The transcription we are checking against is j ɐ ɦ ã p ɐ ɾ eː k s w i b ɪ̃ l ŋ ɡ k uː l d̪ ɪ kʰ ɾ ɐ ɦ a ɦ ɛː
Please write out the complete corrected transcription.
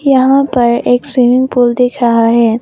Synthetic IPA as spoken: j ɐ ɦ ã p ɐ ɾ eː k s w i m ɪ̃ ŋ ɡ p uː l d̪ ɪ kʰ ɾ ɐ ɦ a ɦ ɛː